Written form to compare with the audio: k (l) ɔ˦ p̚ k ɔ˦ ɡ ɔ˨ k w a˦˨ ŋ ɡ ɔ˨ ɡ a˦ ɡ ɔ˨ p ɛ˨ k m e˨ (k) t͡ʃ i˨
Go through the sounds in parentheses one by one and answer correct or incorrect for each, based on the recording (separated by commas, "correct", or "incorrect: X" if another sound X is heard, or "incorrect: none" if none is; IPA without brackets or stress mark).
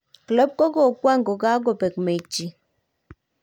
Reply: correct, incorrect: none